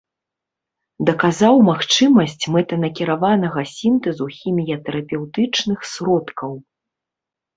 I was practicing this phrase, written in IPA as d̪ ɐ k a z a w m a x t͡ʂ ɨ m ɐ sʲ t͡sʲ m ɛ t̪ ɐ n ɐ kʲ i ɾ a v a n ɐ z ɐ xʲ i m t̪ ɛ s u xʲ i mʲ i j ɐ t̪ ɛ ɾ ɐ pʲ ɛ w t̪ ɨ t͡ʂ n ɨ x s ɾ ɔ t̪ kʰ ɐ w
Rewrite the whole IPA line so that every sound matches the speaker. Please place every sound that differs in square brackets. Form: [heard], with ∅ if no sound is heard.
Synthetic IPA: d̪ ɐ k a z a w m a x t͡ʂ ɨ m ɐ sʲ t͡sʲ m ɛ t̪ ɐ n ɐ kʲ i ɾ a v a n ɐ [ɣ] ɐ [sʲ] i m t̪ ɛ [z] u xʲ i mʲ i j ɐ t̪ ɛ ɾ ɐ pʲ ɛ w t̪ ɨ t͡ʂ n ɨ x s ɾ ɔ t̪ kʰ ɐ w

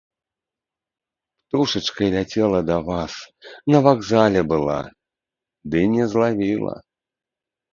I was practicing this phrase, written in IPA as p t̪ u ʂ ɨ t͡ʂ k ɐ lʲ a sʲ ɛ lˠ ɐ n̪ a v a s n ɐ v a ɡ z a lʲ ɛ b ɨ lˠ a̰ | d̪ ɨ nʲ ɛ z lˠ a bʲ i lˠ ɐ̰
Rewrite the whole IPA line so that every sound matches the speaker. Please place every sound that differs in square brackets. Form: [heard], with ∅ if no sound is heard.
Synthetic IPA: p t̪ u ʂ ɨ t͡ʂ k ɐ lʲ a [t͡sʲ] ɛ lˠ ɐ [d̪] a v a s n ɐ v a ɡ z a lʲ ɛ b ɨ lˠ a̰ | d̪ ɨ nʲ ɛ z lˠ a [vʲ] i lˠ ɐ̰

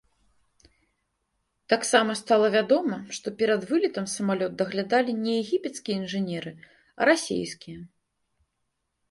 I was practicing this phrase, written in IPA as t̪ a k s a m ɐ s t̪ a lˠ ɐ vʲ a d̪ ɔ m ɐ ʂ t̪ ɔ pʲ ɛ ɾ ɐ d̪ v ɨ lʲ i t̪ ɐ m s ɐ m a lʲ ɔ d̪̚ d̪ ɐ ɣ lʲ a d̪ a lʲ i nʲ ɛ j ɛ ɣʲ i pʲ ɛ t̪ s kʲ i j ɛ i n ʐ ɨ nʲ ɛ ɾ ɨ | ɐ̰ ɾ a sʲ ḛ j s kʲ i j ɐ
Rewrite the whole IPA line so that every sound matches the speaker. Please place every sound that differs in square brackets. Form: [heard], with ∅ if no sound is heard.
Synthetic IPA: t̪ a k s a m ɐ s t̪ a lˠ ɐ vʲ a d̪ ɔ m ɐ ʂ t̪ ɔ pʲ ɛ ɾ ɐ d̪ v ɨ lʲ i t̪ ɐ m s ɐ m a lʲ ɔ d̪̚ d̪ ɐ ɣ lʲ a d̪ a lʲ i nʲ ɛ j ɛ ɣʲ i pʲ ɛ t̪ s kʲ i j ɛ i n ʐ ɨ nʲ ɛ ɾ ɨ | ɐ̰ ɾ a sʲ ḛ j s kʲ i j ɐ

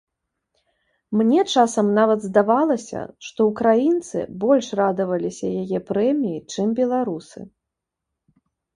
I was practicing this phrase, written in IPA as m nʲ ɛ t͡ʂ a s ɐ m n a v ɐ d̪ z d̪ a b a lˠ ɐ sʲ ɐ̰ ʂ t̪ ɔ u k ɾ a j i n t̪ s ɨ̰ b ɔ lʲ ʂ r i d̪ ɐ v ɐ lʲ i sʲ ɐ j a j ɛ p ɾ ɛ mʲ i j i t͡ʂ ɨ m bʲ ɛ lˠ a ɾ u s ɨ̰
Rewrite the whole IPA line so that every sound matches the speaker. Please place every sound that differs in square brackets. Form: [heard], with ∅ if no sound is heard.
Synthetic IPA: m nʲ ɛ t͡ʂ a s ɐ m n a v ɐ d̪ z d̪ a [v] a lˠ ɐ sʲ ɐ̰ ʂ t̪ ɔ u k ɾ a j i n t̪ s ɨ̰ b ɔ lʲ ʂ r [a] d̪ ɐ v ɐ lʲ i sʲ ɐ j a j ɛ p ɾ ɛ mʲ i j i t͡ʂ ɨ m bʲ ɛ lˠ a ɾ u s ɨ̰

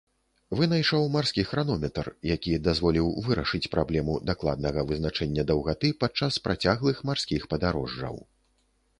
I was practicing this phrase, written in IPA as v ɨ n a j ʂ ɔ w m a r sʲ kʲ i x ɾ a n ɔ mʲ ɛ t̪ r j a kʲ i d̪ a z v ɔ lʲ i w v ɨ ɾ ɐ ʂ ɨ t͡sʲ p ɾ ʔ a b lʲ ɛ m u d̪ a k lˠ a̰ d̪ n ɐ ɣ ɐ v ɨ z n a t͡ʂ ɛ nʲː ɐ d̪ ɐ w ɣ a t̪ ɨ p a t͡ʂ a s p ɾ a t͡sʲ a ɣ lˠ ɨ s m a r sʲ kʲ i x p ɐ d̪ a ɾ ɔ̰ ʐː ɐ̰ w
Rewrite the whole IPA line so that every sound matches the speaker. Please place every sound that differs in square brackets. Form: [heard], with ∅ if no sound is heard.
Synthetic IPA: v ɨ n a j ʂ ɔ w m a r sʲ kʲ i x ɾ a n ɔ mʲ ɛ t̪ r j a kʲ i d̪ a z v ɔ lʲ i w v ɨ ɾ ɐ ʂ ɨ t͡sʲ p ɾ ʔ a b lʲ ɛ m u d̪ a k lˠ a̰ d̪ n ɐ ɣ ɐ v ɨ z n a t͡ʂ ɛ nʲː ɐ d̪ ɐ w ɣ a t̪ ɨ p a t͡ʂ a s p ɾ a t͡sʲ a ɣ lˠ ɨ [x] m a r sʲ kʲ i x p ɐ d̪ a ɾ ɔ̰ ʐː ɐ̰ w

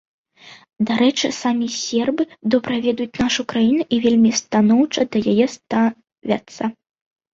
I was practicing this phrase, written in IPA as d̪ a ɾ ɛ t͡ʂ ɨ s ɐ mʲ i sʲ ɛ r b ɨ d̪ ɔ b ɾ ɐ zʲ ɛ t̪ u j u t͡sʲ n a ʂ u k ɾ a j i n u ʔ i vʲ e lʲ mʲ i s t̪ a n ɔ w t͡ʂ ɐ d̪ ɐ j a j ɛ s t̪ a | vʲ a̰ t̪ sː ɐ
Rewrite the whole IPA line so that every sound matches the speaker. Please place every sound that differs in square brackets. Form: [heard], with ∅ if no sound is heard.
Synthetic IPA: d̪ a ɾ ɛ t͡ʂ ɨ s [a] mʲ i sʲ ɛ r b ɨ d̪ ɔ b ɾ ɐ [vʲ] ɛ [d̪] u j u t͡sʲ n a ʂ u k ɾ a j i n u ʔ i vʲ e lʲ mʲ i s t̪ a n ɔ w t͡ʂ ɐ d̪ ɐ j a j ɛ s t̪ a | vʲ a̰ t̪ sː ɐ

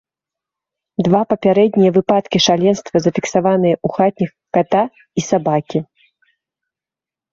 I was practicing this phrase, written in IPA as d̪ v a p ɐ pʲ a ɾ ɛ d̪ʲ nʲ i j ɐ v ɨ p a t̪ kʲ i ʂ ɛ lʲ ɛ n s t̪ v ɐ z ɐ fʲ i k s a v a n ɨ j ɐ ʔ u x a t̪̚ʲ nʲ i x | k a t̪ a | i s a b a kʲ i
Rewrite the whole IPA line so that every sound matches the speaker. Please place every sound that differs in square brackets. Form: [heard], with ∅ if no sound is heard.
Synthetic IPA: d̪ v a p ɐ pʲ a ɾ ɛ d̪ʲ nʲ i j ɐ v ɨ p a t̪ kʲ i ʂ [a] lʲ ɛ n s t̪ v ɐ z ɐ fʲ i k s a v a n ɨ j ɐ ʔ u x a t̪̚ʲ nʲ i x | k a t̪ a | i s a b a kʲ i

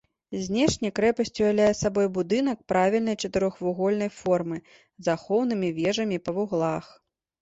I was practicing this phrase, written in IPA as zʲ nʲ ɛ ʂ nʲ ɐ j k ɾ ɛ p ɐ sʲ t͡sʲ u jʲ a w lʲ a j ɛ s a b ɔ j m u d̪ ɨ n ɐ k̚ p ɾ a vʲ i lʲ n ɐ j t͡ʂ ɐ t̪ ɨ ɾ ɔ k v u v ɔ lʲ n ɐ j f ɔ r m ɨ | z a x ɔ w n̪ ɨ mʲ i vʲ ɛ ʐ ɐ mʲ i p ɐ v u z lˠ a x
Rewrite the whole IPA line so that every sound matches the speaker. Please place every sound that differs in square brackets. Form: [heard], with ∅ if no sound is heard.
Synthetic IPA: zʲ nʲ ɛ ʂ nʲ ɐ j k ɾ ɛ p ɐ sʲ t͡sʲ u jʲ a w lʲ a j ɛ s a b ɔ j [b] u d̪ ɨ n ɐ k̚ p ɾ a vʲ i lʲ n ɐ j t͡ʂ ɐ t̪ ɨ ɾ ɔ [x] v u [ɣ] ɔ lʲ n ɐ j f ɔ r m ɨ | z a x ɔ w n̪ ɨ mʲ i vʲ ɛ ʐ ɐ mʲ i p ɐ v u [ɣ] lˠ a x

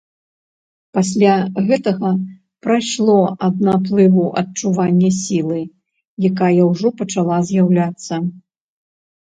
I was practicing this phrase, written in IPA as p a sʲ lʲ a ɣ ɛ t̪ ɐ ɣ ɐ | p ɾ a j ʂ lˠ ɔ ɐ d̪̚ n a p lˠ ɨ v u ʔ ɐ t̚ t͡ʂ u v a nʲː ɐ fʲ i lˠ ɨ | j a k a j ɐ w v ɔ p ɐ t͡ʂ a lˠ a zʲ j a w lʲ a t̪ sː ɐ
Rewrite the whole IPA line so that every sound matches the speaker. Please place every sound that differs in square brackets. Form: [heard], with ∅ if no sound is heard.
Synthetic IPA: p a sʲ lʲ a ɣ ɛ t̪ ɐ ɣ ɐ | p ɾ a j ʂ lˠ ɔ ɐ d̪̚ n a p lˠ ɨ v u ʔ ɐ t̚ t͡ʂ u v a nʲː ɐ [sʲ] i lˠ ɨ | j a k a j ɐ w [ʐ] ɔ p ɐ t͡ʂ a lˠ a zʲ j a w lʲ a t̪ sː ɐ

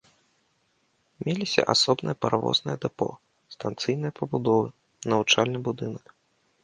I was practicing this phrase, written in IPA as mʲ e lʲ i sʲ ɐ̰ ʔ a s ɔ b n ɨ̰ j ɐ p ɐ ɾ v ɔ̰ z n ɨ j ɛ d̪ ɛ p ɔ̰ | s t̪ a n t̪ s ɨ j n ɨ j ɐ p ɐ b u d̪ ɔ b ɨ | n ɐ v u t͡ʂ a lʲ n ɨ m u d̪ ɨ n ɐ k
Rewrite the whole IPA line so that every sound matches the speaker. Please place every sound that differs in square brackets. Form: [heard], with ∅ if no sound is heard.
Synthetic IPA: mʲ e lʲ i sʲ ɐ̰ ʔ a s ɔ b n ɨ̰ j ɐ p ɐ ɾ v ɔ̰ z n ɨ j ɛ d̪ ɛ p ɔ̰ | s t̪ a n t̪ s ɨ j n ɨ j ɐ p ɐ b u d̪ ɔ [v] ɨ | n ɐ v u t͡ʂ a lʲ n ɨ [b] u d̪ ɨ n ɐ k

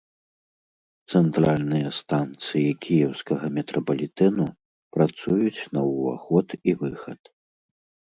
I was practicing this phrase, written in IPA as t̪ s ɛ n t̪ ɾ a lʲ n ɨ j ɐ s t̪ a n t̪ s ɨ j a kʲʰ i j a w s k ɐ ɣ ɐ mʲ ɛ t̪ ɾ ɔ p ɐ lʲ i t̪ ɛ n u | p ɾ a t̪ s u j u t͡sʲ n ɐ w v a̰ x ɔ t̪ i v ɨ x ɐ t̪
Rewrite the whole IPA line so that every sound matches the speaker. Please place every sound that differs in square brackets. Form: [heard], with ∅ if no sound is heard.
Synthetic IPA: t̪ s ɛ n t̪ ɾ a lʲ n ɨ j ɐ s t̪ a n t̪ s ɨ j [i] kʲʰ i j [ɛ] w s k ɐ ɣ ɐ mʲ ɛ t̪ ɾ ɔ p ɐ lʲ i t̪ ɛ n u | p ɾ a t̪ s u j u t͡sʲ n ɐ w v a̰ x ɔ t̪ i v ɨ x ɐ t̪

